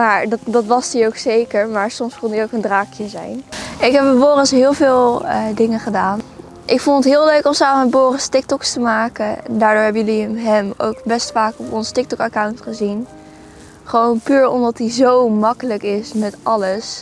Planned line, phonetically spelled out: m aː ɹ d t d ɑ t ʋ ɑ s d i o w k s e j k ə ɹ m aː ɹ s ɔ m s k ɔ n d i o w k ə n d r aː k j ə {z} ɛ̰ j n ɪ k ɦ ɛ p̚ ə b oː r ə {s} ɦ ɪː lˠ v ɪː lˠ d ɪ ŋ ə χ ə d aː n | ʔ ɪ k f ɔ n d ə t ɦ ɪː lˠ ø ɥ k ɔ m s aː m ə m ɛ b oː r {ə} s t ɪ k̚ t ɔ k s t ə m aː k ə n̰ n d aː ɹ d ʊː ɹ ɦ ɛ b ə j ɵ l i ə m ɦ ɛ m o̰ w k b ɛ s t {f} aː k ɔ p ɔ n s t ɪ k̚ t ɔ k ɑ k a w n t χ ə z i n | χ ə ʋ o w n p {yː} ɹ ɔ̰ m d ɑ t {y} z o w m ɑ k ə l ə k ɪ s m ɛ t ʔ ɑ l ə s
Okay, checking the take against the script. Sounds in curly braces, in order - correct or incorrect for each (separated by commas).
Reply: correct, correct, correct, correct, correct, incorrect